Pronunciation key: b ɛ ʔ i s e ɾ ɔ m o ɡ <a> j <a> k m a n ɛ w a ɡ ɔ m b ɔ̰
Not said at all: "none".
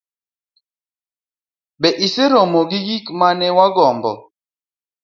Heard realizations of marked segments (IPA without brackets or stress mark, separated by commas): i, i